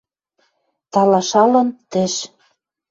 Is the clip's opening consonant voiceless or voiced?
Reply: voiceless